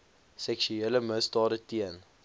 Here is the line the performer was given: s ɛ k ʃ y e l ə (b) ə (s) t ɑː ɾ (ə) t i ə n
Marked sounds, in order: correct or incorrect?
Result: incorrect: m, correct, correct

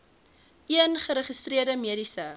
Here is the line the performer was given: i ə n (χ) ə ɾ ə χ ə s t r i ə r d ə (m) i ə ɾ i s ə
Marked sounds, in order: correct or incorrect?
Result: correct, correct

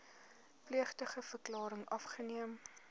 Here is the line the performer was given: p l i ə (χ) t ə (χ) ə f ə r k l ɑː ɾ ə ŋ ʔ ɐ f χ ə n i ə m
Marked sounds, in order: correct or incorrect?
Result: correct, correct

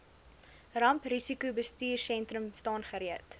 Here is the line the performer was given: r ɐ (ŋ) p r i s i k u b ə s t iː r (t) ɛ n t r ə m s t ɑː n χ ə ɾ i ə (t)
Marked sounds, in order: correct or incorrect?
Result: incorrect: m, incorrect: s, correct

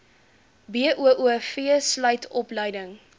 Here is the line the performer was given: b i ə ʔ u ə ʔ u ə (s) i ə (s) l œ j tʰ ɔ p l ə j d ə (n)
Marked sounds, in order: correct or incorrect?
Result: incorrect: f, correct, incorrect: ŋ

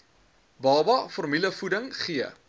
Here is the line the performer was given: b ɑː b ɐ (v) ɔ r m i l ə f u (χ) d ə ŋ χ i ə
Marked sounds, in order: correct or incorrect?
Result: incorrect: f, incorrect: none

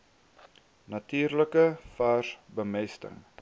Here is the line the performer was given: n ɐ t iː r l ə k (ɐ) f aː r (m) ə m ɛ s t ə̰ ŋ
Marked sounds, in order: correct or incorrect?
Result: incorrect: ə, incorrect: b

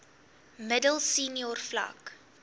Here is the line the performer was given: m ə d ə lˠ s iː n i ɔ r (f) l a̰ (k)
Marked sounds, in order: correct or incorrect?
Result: correct, correct

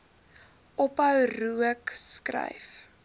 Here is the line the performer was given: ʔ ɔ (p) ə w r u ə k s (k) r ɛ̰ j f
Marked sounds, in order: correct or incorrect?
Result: correct, correct

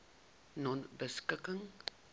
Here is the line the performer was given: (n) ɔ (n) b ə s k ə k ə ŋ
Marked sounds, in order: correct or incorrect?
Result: correct, correct

